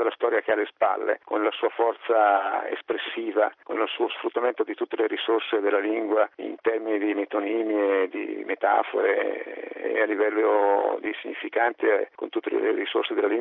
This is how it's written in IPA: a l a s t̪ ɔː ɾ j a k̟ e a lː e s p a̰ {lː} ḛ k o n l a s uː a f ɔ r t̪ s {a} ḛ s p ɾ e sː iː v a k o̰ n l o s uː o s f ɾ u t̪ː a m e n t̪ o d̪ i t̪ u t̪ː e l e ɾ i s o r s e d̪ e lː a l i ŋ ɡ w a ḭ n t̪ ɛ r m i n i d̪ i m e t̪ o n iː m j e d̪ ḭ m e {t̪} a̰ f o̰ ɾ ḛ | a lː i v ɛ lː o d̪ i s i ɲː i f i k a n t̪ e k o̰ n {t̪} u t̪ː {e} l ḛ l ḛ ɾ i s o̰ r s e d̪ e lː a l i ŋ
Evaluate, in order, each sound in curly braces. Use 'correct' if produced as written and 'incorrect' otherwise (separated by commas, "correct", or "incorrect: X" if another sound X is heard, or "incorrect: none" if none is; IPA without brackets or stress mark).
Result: correct, correct, correct, correct, correct